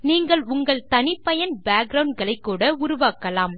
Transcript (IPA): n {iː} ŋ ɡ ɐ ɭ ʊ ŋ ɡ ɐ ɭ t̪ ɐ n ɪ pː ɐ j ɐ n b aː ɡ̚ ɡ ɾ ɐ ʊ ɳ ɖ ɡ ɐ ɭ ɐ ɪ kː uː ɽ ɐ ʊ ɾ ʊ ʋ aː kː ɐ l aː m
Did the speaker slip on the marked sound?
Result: no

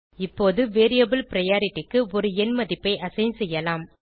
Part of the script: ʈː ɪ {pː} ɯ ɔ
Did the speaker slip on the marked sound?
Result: yes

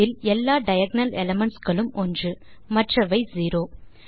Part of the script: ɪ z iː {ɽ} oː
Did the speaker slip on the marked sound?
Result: yes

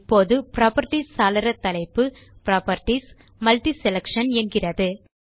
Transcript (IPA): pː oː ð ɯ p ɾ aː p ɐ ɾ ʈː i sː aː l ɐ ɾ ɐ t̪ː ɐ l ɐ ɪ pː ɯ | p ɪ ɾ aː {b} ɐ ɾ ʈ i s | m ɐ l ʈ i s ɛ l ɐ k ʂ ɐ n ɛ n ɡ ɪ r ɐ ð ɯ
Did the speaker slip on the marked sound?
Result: yes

